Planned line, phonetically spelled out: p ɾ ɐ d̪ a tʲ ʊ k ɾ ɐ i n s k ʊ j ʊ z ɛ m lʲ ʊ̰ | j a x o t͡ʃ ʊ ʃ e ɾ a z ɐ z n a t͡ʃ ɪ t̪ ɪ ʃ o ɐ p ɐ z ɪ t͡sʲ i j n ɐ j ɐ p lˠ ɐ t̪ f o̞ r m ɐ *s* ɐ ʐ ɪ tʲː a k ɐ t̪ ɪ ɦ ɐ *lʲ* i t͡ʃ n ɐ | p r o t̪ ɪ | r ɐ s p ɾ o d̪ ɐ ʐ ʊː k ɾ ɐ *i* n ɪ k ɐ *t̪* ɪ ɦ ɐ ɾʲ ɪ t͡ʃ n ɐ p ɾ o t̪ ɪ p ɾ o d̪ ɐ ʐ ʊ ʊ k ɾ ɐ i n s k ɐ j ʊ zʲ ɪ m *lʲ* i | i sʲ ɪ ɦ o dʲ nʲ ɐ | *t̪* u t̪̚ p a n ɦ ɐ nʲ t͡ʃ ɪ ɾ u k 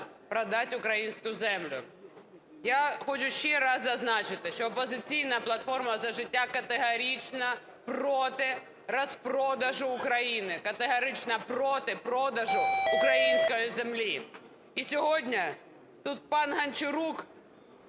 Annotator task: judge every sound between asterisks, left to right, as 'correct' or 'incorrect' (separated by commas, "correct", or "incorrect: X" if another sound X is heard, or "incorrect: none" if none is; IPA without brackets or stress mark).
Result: incorrect: z, incorrect: ɾʲ, correct, correct, correct, correct